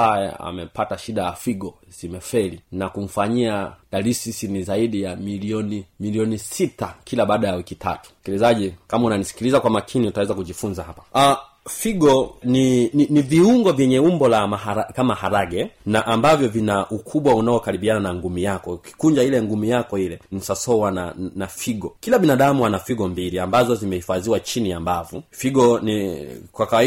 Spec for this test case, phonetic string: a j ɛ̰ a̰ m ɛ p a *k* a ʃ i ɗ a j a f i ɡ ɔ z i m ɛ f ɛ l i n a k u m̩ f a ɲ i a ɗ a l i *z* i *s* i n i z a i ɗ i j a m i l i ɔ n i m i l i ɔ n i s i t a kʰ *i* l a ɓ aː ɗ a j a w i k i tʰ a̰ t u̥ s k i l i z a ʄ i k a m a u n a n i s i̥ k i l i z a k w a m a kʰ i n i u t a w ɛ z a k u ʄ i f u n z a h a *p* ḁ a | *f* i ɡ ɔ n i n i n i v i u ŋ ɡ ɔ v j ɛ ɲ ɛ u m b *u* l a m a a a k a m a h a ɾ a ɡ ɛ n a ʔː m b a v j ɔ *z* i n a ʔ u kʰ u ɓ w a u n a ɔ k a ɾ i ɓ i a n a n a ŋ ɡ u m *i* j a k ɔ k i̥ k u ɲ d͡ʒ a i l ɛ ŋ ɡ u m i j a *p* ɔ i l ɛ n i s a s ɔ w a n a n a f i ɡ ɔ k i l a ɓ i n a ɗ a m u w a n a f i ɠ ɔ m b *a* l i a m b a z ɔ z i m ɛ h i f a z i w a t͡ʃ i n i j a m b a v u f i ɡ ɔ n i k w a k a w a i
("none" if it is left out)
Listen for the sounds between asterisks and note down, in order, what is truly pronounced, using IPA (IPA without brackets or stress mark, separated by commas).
t, s, s, i, p, f, ɔ, v, i, k, i